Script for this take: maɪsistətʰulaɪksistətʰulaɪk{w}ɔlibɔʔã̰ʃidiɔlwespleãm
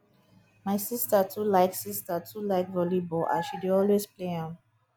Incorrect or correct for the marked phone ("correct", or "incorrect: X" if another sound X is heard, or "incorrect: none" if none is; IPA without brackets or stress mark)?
incorrect: v